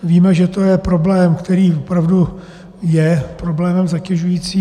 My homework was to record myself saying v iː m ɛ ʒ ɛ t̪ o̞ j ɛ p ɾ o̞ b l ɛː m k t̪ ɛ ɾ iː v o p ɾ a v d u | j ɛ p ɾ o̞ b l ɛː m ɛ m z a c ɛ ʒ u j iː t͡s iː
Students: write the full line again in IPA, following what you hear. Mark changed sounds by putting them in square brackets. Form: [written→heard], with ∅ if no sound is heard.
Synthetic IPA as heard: v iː m ɛ ʒ ɛ t̪ o̞ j ɛ p ɾ o̞ b l ɛː m k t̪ ɛ ɾ iː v o p ɾ a v d u | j ɛ p ɾ o̞ b l ɛː m ɛ m z a c ɛ ʒ u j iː t͡s iː